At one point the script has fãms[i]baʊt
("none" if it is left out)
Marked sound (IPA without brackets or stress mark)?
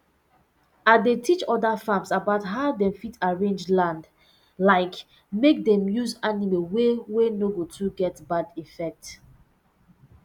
a